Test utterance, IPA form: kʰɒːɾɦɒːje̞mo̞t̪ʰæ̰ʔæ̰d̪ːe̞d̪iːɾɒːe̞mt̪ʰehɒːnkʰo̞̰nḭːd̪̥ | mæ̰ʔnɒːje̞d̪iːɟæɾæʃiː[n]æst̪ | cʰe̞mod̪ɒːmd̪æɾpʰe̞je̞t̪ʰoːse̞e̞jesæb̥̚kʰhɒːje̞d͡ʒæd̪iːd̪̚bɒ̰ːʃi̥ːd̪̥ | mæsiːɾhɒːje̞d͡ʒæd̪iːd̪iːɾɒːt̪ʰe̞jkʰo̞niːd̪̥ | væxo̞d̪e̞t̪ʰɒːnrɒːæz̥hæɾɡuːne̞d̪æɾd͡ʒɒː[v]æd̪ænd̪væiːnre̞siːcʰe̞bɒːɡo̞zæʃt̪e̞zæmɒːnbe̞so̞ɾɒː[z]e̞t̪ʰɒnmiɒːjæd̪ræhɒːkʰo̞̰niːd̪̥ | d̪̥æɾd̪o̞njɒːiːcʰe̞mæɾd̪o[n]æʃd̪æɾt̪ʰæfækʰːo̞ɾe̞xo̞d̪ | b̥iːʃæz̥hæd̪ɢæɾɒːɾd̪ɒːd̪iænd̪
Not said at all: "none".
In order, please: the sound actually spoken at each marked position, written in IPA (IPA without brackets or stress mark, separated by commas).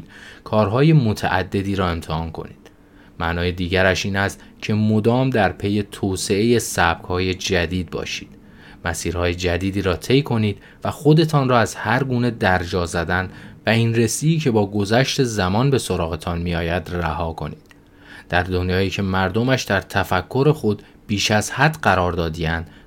n, z, ɣ, m